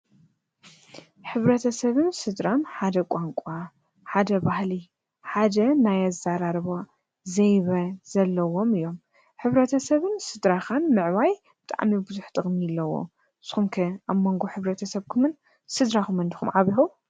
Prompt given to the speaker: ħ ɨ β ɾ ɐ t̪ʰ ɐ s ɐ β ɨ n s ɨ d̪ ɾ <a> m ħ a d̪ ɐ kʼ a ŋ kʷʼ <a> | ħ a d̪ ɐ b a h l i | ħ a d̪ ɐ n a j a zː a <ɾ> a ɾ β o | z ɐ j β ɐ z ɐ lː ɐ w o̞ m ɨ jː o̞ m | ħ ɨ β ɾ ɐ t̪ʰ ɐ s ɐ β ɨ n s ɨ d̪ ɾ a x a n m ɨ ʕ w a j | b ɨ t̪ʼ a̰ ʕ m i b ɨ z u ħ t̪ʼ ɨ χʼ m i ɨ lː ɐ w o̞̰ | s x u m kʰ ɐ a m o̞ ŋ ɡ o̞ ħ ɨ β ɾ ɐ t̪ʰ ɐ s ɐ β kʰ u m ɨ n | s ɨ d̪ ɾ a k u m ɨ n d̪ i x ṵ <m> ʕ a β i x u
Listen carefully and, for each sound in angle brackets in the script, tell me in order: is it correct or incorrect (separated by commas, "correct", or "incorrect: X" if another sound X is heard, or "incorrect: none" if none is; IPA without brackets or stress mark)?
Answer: correct, correct, correct, correct